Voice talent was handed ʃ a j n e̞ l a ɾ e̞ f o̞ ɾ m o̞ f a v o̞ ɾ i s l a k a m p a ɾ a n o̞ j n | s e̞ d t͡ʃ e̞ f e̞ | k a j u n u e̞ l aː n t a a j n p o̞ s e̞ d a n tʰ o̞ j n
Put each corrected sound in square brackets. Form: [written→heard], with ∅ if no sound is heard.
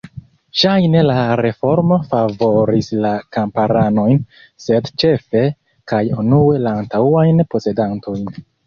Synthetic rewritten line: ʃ a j n e̞ l a ɾ e̞ f o̞ ɾ m o̞ f a v o̞ ɾ i s l a k a m p a ɾ a n o̞ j n | s e̞ d t͡ʃ e̞ f e̞ | k a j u n u e̞ l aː n t a a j n p o̞ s e̞ d a n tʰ o̞ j n